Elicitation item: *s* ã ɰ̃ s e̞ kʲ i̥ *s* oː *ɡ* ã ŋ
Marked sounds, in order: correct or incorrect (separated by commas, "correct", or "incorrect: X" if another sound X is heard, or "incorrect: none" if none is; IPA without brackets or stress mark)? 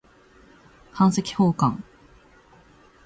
incorrect: h, incorrect: h, incorrect: k